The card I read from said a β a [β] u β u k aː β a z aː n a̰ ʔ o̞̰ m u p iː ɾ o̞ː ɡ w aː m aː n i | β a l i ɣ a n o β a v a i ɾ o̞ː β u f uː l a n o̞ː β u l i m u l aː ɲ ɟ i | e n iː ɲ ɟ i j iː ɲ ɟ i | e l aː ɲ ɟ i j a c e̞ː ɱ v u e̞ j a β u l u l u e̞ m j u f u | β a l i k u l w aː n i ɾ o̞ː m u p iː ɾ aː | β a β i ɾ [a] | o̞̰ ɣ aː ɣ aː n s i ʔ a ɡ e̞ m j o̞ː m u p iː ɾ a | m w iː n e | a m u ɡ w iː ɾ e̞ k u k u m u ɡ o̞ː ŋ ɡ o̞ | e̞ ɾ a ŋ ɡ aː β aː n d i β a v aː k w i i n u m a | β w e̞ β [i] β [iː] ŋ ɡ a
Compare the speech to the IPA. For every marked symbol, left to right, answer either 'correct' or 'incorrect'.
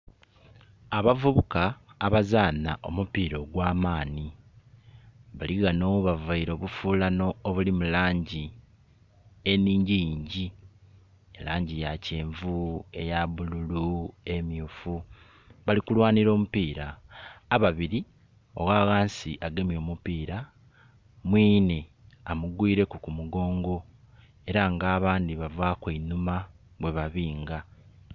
incorrect, incorrect, incorrect, correct

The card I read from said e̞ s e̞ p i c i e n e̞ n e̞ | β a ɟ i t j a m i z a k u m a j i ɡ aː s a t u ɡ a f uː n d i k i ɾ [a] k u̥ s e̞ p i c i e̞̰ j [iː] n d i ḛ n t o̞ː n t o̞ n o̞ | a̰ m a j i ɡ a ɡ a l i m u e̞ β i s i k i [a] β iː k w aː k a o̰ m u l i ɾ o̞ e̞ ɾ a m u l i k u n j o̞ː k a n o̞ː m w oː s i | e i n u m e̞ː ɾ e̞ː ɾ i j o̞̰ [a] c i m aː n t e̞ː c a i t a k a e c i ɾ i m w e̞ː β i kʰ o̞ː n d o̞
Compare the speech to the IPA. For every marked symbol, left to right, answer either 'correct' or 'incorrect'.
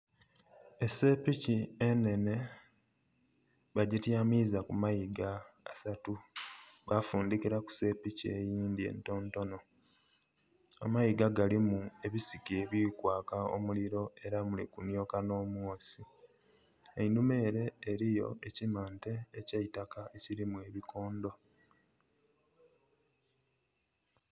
correct, correct, incorrect, incorrect

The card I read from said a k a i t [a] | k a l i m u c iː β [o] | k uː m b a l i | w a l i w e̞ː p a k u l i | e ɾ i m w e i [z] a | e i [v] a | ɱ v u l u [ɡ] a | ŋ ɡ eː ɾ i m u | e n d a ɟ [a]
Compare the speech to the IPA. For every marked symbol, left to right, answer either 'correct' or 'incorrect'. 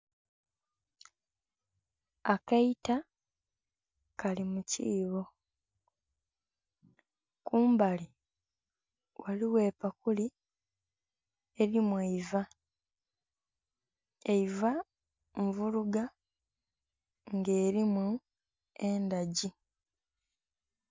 correct, correct, incorrect, correct, correct, incorrect

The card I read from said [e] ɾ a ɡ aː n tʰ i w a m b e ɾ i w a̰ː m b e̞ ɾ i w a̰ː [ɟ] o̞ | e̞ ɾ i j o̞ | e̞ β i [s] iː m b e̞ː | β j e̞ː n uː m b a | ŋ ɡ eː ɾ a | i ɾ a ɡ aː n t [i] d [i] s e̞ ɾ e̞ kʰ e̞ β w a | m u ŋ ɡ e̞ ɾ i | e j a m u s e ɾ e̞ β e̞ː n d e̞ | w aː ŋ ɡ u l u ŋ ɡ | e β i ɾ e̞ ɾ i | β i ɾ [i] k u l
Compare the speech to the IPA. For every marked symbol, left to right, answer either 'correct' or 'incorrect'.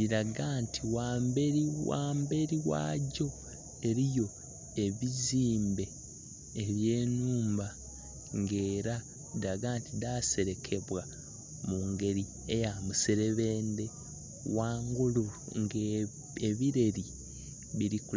incorrect, correct, incorrect, correct, incorrect, correct

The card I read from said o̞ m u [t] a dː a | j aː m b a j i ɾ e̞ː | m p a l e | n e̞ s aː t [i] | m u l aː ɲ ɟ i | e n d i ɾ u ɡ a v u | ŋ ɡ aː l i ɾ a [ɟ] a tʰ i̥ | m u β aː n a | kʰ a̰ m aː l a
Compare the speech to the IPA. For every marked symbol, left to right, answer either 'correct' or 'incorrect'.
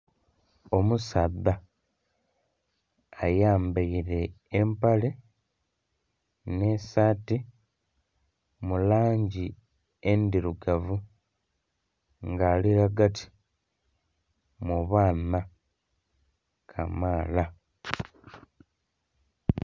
incorrect, correct, incorrect

